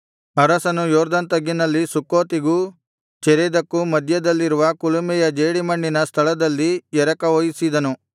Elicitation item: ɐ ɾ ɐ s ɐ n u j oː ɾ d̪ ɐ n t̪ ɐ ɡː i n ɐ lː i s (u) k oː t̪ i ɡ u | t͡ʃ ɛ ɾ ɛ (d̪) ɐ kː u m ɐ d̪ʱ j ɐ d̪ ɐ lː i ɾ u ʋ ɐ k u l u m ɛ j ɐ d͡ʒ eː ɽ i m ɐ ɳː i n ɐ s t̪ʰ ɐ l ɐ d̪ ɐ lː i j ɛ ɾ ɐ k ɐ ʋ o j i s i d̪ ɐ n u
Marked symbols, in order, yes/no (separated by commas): yes, yes